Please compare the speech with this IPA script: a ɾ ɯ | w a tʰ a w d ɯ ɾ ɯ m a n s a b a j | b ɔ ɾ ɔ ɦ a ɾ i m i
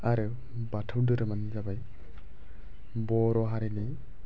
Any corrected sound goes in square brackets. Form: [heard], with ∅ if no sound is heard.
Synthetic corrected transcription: a ɾ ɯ | [b] a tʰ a w d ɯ ɾ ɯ m a n [z] a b a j | b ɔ ɾ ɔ ɦ a ɾ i [n] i